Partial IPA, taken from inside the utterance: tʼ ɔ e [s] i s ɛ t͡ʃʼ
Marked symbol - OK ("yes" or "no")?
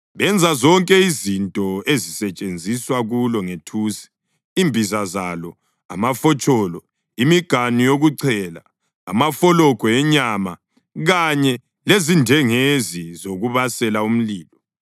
no